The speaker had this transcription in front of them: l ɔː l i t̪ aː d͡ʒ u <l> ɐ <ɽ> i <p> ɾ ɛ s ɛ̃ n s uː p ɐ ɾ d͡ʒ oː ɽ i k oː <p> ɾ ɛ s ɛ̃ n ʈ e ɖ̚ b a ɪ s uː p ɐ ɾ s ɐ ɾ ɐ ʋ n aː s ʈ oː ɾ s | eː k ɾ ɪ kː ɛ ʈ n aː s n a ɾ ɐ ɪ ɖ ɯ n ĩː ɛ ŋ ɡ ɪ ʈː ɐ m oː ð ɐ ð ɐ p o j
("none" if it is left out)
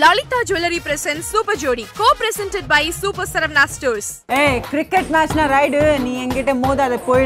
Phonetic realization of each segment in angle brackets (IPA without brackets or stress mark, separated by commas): l, ɾ, p, p